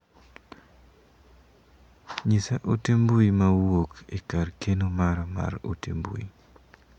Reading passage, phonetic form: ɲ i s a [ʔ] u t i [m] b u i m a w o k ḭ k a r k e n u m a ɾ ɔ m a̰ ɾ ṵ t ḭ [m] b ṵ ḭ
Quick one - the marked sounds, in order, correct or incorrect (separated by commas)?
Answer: correct, correct, correct